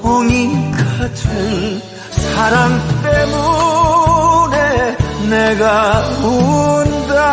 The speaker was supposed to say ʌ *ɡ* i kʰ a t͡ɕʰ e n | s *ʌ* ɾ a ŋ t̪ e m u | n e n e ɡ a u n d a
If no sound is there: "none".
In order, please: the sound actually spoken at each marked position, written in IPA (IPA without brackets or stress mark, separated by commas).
ŋ, a